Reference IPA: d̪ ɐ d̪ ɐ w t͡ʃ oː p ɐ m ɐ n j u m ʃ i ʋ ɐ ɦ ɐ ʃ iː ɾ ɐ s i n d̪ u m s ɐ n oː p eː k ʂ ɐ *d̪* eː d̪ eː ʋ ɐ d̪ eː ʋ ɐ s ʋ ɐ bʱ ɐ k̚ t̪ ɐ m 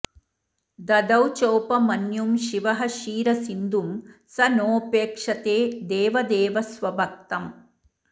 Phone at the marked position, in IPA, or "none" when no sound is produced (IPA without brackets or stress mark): t̪